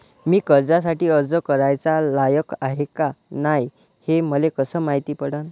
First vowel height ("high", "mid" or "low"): high